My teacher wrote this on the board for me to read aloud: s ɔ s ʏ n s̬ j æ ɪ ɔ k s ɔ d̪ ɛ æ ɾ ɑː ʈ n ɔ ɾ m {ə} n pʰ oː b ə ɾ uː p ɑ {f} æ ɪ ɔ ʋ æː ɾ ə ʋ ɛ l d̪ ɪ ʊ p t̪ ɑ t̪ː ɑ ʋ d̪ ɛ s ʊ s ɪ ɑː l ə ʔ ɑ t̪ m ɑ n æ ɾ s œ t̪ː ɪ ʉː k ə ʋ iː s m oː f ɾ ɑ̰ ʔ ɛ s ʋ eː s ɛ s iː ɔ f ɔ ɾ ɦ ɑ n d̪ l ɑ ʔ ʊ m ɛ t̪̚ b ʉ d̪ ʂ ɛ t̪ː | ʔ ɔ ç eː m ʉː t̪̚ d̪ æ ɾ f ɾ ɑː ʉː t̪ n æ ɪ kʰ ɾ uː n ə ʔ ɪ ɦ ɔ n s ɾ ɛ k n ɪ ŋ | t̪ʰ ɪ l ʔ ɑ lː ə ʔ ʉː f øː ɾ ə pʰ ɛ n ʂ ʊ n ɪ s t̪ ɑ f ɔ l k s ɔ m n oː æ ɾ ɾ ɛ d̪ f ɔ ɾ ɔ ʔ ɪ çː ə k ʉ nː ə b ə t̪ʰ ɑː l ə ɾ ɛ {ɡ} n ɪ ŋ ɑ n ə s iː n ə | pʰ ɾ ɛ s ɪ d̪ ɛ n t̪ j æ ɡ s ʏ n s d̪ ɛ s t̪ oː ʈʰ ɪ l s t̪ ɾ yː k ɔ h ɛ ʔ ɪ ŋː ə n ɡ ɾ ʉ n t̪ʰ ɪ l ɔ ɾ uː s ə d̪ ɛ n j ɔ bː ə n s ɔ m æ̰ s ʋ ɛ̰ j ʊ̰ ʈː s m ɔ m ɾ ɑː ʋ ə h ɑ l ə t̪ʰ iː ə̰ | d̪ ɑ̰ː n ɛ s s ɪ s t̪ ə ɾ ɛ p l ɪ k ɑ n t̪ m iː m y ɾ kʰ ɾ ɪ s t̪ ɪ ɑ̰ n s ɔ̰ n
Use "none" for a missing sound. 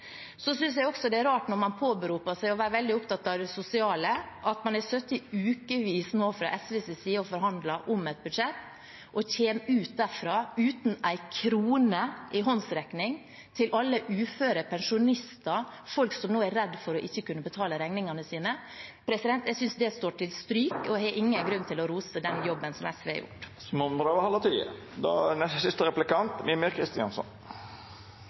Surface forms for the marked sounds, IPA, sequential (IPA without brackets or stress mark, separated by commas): ɑ, s, ŋ